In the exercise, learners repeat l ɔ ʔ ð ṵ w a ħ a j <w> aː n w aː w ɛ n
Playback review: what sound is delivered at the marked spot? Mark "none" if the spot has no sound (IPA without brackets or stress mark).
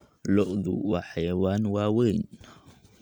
w